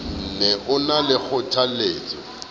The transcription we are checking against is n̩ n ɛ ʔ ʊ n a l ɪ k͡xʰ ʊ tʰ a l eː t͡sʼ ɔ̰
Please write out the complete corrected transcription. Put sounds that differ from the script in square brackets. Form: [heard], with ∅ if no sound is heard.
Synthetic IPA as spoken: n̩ n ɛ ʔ ʊ n a l ɪ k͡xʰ ʊ tʰ a l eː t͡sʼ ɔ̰